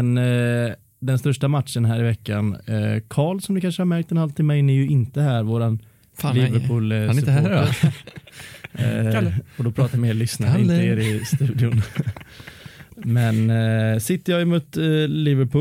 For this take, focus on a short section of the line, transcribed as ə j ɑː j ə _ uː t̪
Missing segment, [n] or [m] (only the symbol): m